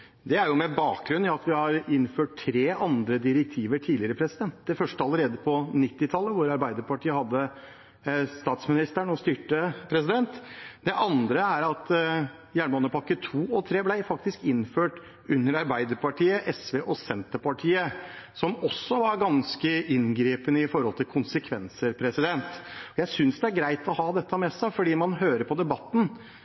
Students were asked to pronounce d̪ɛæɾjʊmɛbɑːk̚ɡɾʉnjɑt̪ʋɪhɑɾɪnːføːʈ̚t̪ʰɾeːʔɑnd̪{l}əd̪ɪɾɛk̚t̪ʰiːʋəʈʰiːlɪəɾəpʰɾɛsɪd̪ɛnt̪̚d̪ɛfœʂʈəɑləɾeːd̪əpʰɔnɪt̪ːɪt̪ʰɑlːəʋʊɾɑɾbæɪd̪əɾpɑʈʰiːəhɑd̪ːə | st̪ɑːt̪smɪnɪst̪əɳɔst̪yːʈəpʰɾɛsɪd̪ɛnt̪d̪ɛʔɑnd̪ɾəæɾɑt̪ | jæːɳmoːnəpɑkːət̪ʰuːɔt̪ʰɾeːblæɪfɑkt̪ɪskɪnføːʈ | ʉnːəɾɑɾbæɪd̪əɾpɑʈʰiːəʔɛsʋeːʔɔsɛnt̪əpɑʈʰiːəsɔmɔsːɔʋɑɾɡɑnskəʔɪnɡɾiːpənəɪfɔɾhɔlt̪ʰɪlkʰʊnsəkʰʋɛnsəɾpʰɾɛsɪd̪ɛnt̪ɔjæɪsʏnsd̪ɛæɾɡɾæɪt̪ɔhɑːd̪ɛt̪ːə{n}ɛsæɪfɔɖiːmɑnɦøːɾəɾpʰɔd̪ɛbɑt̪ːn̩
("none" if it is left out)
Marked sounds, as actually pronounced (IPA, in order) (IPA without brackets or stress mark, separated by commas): ɾ, m